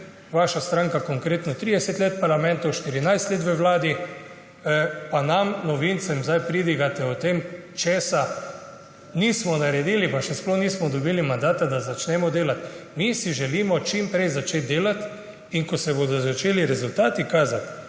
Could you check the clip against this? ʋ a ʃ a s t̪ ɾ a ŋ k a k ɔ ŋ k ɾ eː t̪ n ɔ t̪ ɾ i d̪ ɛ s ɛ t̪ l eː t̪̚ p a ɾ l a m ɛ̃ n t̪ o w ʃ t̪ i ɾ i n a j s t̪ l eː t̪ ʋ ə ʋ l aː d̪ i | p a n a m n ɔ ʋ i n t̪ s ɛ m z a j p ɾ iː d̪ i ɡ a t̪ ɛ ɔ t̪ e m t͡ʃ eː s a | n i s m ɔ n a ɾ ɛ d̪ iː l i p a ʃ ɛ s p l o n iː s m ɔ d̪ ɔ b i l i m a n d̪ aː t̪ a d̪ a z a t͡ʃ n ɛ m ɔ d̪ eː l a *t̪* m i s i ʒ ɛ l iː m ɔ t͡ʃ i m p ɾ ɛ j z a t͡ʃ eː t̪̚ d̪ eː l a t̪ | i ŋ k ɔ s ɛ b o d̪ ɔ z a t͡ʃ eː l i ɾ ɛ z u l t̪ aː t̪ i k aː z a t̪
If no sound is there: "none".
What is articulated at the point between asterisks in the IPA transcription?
t̪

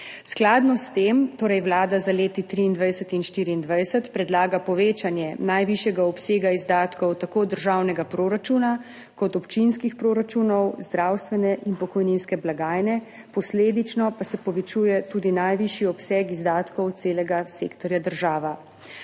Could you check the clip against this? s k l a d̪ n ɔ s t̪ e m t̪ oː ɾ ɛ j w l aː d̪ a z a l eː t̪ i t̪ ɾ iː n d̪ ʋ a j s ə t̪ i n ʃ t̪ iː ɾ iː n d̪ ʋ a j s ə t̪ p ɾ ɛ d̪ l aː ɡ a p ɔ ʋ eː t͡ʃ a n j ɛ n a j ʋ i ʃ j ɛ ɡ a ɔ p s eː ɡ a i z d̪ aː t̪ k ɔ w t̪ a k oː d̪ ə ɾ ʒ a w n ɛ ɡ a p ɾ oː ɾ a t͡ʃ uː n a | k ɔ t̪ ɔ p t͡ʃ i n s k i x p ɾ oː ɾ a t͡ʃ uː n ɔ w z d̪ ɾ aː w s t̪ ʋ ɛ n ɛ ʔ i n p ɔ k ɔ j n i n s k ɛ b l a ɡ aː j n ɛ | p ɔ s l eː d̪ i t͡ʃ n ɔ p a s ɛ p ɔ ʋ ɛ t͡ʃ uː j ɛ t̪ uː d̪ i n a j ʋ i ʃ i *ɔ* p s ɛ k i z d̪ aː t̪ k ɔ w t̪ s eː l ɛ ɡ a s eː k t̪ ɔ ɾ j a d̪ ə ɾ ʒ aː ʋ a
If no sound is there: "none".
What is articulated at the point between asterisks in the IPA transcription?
ɔ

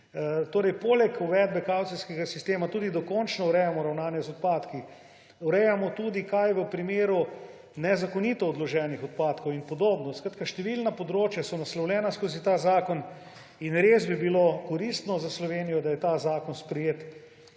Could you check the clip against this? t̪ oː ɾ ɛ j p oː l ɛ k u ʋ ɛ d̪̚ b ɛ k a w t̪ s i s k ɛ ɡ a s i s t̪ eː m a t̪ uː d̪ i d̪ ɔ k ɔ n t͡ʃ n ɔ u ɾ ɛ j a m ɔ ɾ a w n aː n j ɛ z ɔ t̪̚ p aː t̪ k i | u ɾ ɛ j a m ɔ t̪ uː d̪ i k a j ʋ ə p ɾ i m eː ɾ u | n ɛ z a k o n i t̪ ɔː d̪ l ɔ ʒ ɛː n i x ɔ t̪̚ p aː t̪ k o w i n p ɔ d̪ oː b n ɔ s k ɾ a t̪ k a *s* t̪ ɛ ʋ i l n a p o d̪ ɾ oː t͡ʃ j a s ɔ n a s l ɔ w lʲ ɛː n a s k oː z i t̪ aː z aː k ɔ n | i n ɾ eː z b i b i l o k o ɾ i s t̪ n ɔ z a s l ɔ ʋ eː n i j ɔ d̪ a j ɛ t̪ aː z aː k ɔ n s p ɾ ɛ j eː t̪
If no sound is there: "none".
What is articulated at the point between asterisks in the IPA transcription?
ʃ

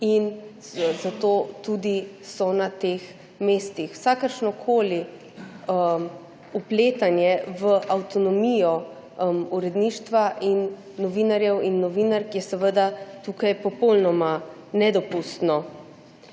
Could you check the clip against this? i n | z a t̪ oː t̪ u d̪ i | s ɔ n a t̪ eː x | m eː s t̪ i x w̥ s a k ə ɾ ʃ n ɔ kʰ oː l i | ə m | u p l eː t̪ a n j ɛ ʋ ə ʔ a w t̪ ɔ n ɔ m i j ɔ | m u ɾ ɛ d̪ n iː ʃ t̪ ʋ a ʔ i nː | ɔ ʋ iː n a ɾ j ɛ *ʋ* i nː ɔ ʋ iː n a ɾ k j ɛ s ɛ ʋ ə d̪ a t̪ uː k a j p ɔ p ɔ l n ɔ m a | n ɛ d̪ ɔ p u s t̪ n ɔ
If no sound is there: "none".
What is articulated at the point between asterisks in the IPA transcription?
w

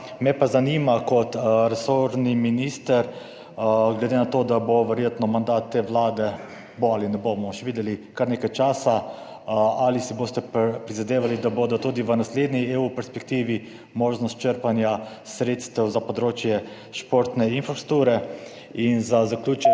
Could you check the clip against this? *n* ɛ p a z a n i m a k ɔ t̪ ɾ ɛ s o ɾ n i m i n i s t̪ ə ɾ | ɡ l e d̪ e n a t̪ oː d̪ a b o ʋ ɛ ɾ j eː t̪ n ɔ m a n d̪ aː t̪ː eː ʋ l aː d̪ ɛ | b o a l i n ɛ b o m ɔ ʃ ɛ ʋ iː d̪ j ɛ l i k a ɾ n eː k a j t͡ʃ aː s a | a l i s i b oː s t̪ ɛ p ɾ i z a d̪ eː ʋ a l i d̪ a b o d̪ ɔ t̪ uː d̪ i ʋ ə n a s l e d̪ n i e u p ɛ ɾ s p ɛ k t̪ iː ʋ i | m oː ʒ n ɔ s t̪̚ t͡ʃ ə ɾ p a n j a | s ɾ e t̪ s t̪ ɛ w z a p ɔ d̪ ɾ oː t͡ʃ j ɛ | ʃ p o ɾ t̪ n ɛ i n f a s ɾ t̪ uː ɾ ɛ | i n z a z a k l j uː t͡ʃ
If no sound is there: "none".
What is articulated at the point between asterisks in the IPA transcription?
m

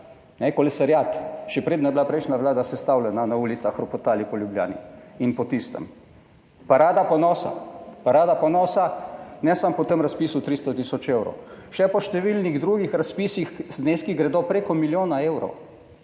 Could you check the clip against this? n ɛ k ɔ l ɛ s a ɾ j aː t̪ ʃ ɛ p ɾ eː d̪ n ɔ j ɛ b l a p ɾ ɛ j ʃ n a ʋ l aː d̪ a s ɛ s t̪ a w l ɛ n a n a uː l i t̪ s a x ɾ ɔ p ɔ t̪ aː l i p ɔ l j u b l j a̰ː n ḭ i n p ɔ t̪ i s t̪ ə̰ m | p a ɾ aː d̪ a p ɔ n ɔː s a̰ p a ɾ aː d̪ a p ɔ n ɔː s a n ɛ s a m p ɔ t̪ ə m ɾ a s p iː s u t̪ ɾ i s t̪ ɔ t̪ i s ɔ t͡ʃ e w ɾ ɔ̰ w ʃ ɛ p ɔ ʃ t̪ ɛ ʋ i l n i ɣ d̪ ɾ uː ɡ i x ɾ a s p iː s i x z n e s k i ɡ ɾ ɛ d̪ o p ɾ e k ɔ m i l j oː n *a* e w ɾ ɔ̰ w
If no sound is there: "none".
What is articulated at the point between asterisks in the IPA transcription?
a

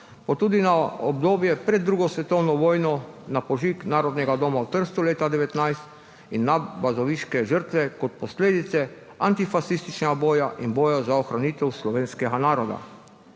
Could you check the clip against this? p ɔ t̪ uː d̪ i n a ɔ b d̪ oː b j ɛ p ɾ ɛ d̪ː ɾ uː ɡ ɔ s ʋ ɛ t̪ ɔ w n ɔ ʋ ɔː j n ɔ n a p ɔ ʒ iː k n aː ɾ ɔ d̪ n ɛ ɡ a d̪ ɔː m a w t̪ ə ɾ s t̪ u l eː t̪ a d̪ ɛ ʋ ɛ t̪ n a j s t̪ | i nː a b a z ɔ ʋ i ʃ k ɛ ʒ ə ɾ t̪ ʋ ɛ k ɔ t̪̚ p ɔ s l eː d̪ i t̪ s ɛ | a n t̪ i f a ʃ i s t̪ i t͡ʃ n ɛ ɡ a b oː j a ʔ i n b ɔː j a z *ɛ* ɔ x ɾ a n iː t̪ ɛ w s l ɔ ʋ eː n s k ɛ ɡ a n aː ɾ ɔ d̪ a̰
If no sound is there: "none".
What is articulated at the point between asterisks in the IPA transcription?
a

